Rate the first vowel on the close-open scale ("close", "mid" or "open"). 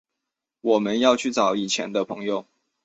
mid